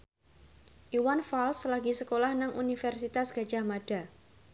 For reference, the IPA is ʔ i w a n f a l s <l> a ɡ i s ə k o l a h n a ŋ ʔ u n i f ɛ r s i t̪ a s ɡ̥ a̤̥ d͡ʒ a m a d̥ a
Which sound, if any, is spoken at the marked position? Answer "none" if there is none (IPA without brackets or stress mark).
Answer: l